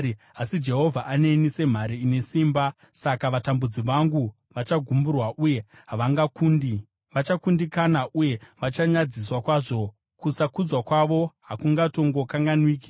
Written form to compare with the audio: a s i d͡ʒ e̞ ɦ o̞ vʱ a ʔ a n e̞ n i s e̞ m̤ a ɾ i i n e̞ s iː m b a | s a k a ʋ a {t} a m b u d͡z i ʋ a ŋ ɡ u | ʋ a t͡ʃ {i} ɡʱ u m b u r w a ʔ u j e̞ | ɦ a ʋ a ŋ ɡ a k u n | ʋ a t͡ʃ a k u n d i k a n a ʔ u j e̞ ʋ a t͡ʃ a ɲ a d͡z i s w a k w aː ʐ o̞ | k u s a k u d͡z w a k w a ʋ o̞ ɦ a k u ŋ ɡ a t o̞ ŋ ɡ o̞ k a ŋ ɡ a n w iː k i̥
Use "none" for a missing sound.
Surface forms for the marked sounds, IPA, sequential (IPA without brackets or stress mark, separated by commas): t, a